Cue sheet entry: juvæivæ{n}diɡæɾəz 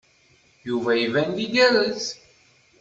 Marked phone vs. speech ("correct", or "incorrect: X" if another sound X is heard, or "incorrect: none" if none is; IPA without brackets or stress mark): correct